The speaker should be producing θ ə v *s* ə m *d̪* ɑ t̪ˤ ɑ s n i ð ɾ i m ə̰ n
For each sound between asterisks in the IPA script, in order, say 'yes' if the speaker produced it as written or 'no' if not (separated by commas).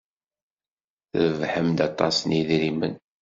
no, yes